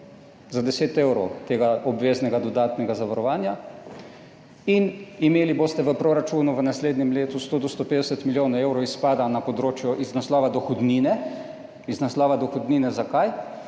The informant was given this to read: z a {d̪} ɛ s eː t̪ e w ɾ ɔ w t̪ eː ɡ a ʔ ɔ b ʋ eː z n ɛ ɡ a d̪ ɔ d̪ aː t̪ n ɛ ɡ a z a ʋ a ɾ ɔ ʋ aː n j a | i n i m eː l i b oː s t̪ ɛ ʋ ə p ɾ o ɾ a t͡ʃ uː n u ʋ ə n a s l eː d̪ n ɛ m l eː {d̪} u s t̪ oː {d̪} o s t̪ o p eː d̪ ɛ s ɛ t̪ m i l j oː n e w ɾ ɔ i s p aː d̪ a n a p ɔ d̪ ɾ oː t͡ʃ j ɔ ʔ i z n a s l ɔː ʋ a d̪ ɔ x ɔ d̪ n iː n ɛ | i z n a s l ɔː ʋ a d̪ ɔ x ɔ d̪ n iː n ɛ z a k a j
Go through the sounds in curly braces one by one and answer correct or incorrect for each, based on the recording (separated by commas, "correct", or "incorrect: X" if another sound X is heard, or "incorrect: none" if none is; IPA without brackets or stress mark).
correct, incorrect: t̪, correct